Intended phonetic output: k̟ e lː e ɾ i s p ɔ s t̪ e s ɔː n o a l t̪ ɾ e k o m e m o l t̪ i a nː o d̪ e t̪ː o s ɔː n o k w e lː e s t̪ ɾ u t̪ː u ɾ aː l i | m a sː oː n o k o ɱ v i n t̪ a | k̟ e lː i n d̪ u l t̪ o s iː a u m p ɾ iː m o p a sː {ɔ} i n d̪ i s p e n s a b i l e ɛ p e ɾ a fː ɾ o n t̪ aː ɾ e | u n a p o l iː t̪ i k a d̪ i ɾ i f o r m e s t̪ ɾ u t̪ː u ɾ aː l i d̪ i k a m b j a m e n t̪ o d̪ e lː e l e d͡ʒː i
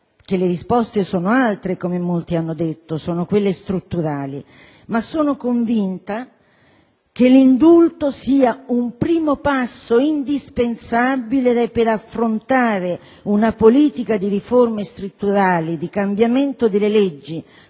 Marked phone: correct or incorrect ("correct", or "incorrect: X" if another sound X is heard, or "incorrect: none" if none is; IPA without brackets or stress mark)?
incorrect: o